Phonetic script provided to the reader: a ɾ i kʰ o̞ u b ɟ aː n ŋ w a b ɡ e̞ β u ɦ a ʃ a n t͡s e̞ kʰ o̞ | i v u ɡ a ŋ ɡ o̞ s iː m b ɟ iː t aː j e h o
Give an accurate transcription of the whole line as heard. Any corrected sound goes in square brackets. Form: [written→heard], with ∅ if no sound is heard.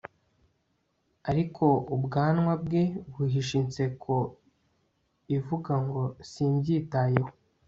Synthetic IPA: a ɾ i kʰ o̞ u b [ɟ→ɡ] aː n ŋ w a b ɡ e̞ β u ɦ [a→i] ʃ [a→i] n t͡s e̞ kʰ o̞ | i v u ɡ a ŋ ɡ o̞ s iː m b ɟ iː t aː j e h o